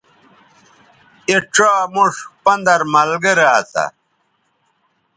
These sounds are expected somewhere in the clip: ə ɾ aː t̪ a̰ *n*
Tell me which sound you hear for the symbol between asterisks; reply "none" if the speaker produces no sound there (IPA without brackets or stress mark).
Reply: none